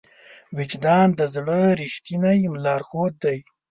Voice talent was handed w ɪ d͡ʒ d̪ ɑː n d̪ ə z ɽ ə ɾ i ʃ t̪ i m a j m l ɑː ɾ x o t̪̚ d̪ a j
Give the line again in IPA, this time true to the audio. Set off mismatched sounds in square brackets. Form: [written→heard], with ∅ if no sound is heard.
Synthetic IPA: w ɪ d͡ʒ d̪ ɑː n d̪ ə z ɽ ə ɾ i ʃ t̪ i [m→n] a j m l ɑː ɾ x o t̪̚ d̪ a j